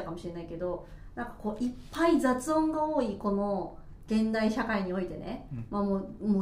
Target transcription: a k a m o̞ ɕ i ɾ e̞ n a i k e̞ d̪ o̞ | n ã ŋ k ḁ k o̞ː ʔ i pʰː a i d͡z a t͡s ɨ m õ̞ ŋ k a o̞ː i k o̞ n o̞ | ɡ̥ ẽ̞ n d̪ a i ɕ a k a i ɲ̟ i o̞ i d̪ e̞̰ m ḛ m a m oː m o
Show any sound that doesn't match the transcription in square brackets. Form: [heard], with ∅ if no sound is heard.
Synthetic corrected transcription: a k a m o̞ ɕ i ɾ e̞ n a i k e̞ d̪ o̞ | n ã ŋ k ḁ k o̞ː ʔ i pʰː a i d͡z a t͡s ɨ [∅] õ̞ ŋ [ɡ] a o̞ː i k o̞ n o̞ | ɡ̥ ẽ̞ n d̪ a i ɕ a k a i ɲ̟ i o̞ i [t̪] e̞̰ [n] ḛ m a m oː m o